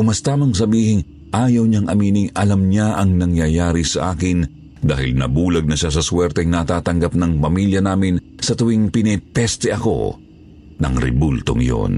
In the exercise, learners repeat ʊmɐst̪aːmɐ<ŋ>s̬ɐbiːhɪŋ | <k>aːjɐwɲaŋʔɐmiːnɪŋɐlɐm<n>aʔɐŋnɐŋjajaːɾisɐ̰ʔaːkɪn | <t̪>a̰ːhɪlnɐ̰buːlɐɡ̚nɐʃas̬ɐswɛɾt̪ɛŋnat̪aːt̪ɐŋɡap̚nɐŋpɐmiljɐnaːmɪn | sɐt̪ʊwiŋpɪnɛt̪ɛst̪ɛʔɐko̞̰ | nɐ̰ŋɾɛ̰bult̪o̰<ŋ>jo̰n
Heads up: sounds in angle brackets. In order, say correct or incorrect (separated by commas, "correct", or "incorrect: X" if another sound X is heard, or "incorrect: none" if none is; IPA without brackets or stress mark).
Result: correct, incorrect: ʔ, incorrect: ɲ, incorrect: d̪, correct